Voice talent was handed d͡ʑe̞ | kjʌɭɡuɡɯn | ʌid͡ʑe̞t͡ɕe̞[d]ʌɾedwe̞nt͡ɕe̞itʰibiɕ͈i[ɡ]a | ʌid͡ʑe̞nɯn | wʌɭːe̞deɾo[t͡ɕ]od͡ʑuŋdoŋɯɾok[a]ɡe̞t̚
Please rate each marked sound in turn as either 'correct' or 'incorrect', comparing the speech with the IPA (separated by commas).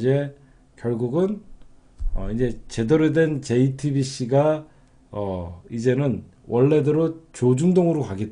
correct, correct, correct, correct